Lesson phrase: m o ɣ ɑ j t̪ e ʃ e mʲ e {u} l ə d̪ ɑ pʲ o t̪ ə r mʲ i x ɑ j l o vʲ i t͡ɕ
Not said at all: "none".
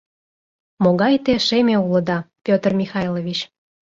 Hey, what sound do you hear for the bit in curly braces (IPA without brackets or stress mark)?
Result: u